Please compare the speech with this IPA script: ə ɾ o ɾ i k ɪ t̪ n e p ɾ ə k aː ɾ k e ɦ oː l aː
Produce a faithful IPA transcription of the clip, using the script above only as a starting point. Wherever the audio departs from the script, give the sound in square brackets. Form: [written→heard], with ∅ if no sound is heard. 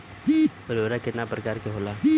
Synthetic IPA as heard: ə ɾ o ɾ [i→a] k ɪ t̪ n [e→a] p ɾ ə k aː ɾ k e ɦ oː l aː